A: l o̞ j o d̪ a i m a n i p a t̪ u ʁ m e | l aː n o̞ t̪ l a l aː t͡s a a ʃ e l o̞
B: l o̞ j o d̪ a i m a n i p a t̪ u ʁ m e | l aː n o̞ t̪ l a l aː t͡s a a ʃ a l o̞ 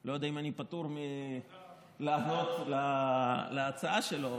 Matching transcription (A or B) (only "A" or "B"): A